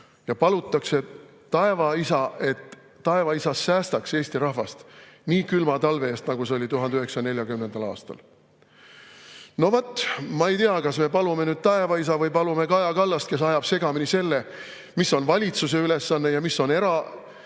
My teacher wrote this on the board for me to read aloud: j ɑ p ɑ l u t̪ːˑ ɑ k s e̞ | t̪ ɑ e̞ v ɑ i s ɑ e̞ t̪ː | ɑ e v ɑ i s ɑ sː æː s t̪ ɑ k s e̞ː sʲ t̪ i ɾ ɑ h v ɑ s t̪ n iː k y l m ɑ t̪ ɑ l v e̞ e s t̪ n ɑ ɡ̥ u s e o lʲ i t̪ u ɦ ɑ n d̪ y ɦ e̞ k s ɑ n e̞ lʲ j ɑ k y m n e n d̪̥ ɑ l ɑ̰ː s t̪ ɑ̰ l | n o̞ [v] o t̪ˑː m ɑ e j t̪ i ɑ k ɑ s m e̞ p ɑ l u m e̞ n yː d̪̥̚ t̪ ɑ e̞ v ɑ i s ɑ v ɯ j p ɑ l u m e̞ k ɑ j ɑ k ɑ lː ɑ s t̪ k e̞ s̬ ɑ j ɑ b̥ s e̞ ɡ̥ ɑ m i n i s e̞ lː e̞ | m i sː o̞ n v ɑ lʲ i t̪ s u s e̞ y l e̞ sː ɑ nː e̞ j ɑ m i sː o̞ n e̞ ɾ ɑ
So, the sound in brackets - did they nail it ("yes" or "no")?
yes